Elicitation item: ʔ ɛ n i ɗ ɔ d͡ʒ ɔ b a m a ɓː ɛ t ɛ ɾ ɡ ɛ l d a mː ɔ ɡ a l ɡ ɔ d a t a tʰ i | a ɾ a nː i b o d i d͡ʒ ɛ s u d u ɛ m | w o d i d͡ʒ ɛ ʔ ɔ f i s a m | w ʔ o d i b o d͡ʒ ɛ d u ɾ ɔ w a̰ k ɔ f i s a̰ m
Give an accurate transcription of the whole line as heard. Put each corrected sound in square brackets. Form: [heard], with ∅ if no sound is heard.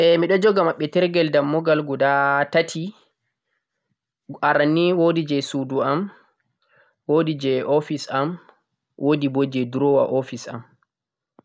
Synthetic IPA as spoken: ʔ ɛ [m] i ɗ ɔ d͡ʒ ɔ [ɡ] a m a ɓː ɛ t ɛ ɾ ɡ ɛ l d a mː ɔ ɡ a l ɡ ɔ d a t a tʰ i | a ɾ a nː i [w] o d i d͡ʒ ɛ s u d u [a] m | w o d i d͡ʒ ɛ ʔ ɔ f i s a m | w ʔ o d i b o d͡ʒ ɛ d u ɾ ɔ w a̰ [ʔ] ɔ f i s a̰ m